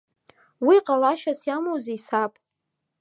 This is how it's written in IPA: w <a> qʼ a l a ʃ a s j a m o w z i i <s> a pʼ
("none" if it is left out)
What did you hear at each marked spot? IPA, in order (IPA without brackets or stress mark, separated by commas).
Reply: i, s